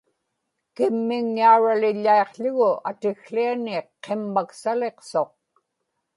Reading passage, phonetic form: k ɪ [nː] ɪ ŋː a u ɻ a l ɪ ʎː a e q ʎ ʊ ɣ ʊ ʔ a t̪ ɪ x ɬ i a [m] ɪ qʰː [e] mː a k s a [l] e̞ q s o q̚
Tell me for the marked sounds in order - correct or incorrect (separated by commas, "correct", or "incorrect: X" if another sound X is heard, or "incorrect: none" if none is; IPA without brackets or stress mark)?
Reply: incorrect: mː, incorrect: n, correct, correct